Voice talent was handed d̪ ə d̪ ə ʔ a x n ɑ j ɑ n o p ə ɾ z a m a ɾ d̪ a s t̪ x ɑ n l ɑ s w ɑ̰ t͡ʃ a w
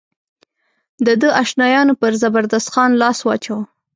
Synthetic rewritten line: d̪ ə d̪ ə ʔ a ʃ n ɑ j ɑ n o p ə ɾ z a b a ɾ d̪ a s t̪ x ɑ n l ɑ s w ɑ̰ t͡ʃ a w